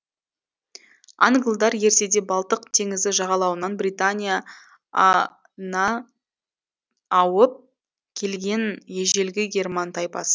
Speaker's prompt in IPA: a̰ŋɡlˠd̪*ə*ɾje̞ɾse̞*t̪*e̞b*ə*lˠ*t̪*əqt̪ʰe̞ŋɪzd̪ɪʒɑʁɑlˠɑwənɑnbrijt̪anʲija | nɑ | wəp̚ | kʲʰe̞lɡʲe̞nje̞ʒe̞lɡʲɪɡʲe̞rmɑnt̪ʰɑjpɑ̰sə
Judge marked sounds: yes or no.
no, no, no, yes

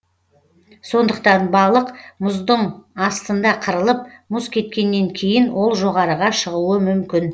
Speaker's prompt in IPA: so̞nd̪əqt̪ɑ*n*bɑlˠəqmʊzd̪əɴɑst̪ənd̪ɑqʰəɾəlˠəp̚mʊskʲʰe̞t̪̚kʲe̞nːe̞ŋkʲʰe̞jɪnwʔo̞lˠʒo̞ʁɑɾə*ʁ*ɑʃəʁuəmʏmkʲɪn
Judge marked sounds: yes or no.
yes, yes

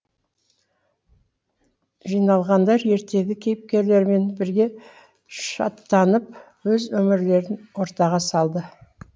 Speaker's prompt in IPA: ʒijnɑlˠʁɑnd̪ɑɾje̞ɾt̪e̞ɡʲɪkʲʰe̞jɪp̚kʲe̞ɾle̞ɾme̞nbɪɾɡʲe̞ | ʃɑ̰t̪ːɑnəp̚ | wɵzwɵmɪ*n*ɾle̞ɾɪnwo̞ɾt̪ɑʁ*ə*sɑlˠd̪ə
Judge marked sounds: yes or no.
no, no

